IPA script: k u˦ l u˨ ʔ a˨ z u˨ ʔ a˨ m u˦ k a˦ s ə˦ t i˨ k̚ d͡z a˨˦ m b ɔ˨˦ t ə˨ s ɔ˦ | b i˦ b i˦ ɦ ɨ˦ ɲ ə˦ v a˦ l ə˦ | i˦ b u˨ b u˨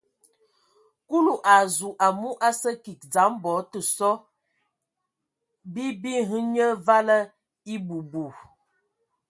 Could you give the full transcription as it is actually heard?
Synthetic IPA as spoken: k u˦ l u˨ ʔ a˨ z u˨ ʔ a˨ m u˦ ʔ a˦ s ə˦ k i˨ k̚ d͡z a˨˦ m b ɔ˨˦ t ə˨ s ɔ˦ | b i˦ b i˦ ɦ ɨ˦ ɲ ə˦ v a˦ l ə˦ | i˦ b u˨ b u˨

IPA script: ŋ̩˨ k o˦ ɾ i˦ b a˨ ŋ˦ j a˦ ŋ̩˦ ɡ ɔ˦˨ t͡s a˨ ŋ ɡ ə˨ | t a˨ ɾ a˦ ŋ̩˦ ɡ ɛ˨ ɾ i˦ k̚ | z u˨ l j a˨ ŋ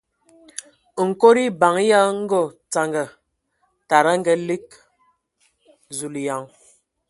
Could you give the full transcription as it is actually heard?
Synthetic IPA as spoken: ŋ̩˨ k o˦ ɾ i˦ b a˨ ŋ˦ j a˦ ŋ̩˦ ɡ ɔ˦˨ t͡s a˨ ŋ ɡ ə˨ | t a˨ ɾ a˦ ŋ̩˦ ɡ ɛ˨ l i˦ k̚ | z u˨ l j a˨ ŋ

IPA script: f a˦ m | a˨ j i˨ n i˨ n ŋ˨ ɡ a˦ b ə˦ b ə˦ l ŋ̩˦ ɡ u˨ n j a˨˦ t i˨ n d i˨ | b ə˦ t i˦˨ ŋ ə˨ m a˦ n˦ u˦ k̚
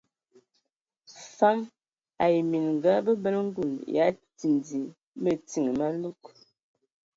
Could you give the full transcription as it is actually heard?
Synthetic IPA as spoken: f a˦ m | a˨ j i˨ m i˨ n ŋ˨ ɡ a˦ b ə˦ b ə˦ l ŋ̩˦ ɡ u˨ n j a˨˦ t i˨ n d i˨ | m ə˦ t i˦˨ ŋ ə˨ m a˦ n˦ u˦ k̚

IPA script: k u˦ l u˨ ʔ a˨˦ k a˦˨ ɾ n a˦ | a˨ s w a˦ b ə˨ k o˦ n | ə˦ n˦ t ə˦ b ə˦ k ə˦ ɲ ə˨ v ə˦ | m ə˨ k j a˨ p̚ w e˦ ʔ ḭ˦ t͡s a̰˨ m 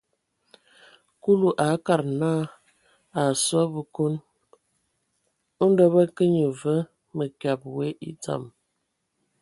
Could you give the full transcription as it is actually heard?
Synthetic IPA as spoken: k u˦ l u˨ ʔ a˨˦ k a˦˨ ɾ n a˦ | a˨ s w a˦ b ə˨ k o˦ n | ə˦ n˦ d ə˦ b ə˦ k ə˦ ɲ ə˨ v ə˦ | m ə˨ k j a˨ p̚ w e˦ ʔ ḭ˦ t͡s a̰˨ m

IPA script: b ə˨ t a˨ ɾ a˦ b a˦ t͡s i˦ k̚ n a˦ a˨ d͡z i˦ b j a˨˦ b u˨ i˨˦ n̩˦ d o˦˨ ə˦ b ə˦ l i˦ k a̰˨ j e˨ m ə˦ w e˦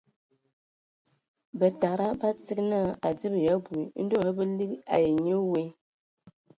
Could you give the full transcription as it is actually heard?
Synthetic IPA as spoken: b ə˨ t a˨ ɾ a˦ b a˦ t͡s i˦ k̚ n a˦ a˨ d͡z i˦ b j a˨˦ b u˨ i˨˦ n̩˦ d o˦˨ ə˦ b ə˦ l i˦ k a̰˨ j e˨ ɲ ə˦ w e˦

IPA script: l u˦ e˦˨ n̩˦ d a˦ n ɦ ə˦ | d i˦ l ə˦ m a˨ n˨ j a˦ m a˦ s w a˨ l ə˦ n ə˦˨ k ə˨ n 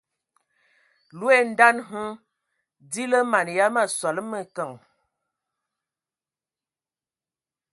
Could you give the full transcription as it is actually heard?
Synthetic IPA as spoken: l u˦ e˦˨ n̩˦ d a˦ n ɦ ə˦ | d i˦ l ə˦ m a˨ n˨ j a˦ m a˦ s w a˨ l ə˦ m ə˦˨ k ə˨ ŋ

